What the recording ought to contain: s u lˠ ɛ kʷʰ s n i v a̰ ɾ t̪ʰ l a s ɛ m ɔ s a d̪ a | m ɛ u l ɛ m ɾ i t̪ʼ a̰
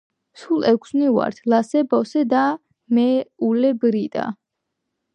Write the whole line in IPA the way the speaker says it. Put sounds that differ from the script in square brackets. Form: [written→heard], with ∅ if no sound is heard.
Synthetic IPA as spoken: s u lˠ ɛ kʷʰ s n i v a̰ ɾ t̪ʰ l a s ɛ [m→b] ɔ s [a→ɛ] d̪ a | m ɛ u l ɛ [m→b] ɾ i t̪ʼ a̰